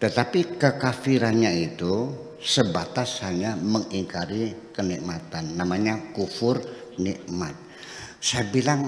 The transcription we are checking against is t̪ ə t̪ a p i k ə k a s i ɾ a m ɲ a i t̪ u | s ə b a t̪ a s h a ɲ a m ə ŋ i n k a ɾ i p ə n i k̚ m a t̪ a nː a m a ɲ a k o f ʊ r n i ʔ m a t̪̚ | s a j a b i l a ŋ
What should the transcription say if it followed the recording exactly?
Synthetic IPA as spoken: t̪ ə t̪ a p i k ə k a f i ɾ a n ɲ a i t̪ u | s ə b a t̪ a s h a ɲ a m ə ŋ i ŋ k a ɾ i k ə n i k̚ m a t̪ a nː a m a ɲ a k u f ʊ r n i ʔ m a t̪̚ | s a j a b i l a ŋ